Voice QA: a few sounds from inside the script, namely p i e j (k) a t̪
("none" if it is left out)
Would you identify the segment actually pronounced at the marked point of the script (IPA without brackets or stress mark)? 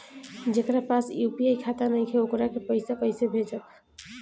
kʰ